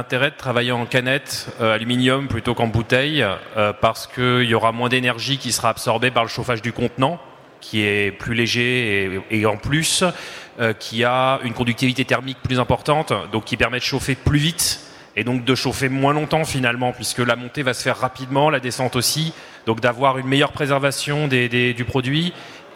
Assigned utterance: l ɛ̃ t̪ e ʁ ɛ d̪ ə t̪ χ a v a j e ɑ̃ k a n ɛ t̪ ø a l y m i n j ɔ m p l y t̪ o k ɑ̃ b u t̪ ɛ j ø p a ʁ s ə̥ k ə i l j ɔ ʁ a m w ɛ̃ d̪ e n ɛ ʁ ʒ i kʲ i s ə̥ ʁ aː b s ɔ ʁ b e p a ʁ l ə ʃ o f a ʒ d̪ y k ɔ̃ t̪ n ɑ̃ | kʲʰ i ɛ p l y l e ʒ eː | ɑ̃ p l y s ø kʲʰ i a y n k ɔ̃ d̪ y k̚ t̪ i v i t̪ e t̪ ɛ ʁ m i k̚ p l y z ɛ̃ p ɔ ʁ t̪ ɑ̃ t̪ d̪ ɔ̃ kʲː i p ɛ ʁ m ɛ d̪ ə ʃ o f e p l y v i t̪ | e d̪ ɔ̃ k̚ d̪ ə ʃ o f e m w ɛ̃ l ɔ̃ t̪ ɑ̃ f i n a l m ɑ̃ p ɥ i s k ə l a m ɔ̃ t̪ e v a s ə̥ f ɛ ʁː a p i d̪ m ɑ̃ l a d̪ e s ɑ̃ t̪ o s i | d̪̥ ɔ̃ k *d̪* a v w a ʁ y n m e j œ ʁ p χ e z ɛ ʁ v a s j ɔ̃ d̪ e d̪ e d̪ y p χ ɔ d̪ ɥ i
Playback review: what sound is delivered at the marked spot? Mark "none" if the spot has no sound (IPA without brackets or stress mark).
d̪